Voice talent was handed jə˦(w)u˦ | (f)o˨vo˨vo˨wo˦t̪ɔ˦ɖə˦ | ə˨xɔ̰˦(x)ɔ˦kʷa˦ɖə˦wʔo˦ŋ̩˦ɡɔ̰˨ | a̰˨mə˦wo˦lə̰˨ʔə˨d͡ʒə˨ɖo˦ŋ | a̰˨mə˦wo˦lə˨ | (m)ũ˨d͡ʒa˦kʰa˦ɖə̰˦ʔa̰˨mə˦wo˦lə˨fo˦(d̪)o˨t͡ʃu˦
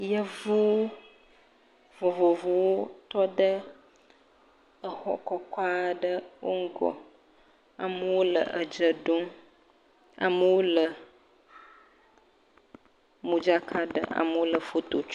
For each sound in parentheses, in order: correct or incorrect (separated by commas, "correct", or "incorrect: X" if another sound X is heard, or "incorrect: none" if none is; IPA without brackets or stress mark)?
incorrect: v, incorrect: v, incorrect: k, correct, incorrect: t̪